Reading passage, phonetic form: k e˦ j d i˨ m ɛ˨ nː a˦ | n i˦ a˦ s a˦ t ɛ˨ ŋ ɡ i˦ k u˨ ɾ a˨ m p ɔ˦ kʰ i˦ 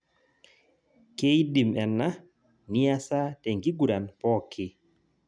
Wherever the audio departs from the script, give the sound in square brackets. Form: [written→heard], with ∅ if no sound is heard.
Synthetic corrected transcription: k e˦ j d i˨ m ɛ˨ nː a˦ | n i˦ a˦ s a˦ t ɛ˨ ŋ ɡ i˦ [k→ɡ] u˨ ɾ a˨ [m→n] p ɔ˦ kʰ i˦